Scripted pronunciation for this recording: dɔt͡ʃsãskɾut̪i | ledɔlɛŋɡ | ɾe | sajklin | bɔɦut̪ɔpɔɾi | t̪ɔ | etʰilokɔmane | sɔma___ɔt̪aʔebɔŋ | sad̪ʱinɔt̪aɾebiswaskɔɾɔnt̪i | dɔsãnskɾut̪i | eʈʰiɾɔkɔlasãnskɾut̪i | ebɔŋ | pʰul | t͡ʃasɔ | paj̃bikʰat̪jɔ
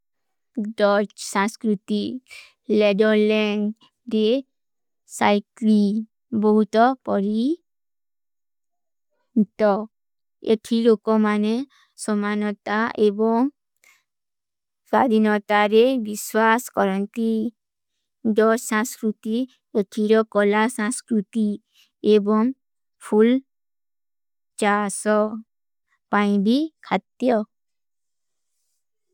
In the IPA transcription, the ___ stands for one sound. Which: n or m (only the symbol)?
n